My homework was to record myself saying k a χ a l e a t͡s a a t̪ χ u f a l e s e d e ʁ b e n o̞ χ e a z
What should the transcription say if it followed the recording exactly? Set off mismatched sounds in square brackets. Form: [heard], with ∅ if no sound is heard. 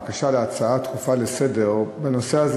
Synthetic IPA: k a [ʃ] a l e a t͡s a a t̪ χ u f a l e s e d e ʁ b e n o̞ [s] e a z

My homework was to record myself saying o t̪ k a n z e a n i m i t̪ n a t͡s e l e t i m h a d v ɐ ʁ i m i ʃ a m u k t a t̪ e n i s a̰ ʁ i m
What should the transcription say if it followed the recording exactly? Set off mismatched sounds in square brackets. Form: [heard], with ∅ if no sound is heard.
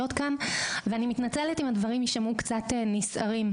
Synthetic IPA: o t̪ k a n [v] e a n i m i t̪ n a t͡s e l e t i m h a d v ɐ ʁ i m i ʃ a m u k [t͡s] a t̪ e n i s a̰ ʁ i m

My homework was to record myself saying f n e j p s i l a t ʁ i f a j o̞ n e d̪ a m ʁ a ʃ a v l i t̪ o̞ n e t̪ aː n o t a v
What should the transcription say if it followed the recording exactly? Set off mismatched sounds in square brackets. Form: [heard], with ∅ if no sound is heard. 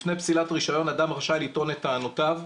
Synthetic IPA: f n e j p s i l a t ʁ i [ʃ] a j o̞ n [a] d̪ a m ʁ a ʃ a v l i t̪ o̞ n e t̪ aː n o t a v

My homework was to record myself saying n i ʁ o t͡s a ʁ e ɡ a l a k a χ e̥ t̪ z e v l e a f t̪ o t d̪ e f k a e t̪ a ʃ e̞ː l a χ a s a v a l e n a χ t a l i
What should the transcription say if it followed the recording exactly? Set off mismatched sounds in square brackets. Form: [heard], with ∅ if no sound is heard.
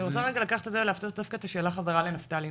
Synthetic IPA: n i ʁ o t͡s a ʁ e ɡ a l a k a χ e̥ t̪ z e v l e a f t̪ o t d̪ [a] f k a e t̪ a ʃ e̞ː l a χ a [z] a [ʁ] a l e n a [f] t a l i

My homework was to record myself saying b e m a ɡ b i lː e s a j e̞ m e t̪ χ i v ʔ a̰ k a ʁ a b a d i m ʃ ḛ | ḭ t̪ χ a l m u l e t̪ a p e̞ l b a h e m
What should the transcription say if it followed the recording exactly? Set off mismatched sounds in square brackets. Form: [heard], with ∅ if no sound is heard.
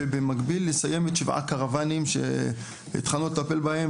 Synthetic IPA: b e m a ɡ b i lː e s a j e̞ m e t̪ [ʃ] i v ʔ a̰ k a ʁ a [v] a [n] i m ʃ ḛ | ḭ t̪ χ a l [n] u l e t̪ a p e̞ l b a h e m

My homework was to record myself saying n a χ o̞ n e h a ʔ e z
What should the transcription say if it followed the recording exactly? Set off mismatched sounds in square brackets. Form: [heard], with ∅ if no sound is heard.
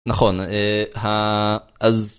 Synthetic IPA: n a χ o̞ n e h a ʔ [a] z

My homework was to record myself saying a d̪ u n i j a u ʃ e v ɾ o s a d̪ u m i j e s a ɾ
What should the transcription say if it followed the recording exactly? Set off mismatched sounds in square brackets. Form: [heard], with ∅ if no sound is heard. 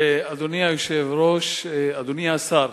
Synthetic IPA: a d̪ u n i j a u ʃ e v ɾ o [ʃ] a d̪ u [n] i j [a] s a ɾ

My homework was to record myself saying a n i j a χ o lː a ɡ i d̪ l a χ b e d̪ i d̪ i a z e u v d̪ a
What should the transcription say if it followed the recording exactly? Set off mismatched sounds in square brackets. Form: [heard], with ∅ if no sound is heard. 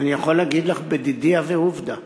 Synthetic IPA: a n i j a χ o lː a ɡ i d̪ l a χ b e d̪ i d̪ i a [v] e u v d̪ a

